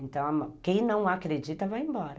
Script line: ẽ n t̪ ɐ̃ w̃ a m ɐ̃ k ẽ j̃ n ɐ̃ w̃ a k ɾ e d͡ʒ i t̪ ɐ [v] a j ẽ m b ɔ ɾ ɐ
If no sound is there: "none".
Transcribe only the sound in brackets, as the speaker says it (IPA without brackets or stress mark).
v